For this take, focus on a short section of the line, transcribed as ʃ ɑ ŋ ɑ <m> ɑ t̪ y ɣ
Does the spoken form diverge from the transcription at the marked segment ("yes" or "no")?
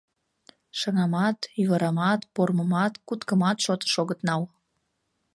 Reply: no